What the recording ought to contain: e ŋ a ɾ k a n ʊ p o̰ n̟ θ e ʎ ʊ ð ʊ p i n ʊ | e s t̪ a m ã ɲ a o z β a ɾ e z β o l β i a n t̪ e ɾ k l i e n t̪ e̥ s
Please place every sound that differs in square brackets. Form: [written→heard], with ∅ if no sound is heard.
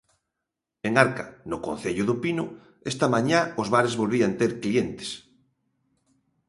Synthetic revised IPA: e ŋ a ɾ k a n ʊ [p→k] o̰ n̟ θ e ʎ ʊ ð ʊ p i n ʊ | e s t̪ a m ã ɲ a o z β a ɾ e z β o l β i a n t̪ e ɾ k l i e n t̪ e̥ s